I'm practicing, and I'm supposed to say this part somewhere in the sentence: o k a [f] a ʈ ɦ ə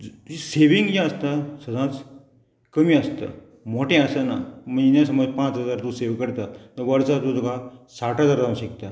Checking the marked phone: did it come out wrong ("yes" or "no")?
yes